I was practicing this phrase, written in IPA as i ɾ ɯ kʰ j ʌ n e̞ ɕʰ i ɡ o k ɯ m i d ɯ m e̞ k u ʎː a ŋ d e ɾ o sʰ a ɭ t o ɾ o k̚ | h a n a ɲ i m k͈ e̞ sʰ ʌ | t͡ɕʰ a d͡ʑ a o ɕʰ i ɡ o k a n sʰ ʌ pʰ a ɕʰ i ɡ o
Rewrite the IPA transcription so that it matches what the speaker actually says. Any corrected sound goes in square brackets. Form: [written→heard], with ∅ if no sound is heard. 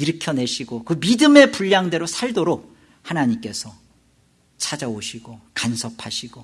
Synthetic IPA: i ɾ ɯ kʰ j ʌ n e̞ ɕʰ i ɡ o k ɯ m i d ɯ m e̞ [k→p] u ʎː a ŋ d e ɾ o sʰ a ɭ [t→d] o ɾ o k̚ | h a n a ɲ i m k͈ e̞ sʰ ʌ | t͡ɕʰ a d͡ʑ a o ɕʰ i ɡ o k a n sʰ ʌ pʰ a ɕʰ i ɡ o